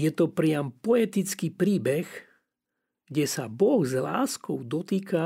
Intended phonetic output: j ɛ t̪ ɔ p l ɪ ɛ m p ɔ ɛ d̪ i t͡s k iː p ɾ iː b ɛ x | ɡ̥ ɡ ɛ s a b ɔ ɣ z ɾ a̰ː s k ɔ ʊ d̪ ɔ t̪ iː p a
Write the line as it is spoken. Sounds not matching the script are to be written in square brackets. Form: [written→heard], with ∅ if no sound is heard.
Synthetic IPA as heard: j ɛ t̪ ɔ p [l→ɾ] ɪ [ɛ→a] m p ɔ ɛ [d̪→t̪] i t͡s k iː p ɾ iː b ɛ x | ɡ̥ [ɡ→ɟ] ɛ s a b ɔ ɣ z [ɾ→l] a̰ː s k ɔ ʊ d̪ ɔ t̪ iː [p→k] a